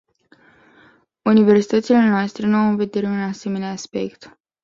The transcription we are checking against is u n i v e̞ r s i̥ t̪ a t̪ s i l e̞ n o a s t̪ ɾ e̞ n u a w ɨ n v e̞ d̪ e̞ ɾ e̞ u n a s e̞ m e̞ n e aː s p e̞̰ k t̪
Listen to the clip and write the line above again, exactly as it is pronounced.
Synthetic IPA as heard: u n i v e̞ r s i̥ t̪ ə t̪ s i l e̞ n o a s t̪ ɾ e̞ n u a w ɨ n v e̞ d̪ e̞ ɾ e̞ u n a s e̞ m e̞ n e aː s p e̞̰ k t̪